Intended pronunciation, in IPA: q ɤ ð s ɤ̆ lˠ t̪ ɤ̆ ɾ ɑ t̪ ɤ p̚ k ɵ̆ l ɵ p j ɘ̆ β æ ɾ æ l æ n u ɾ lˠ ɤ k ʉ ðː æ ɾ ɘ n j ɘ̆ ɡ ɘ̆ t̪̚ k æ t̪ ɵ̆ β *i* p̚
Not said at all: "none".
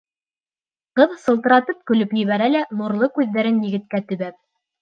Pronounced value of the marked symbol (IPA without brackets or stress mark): æ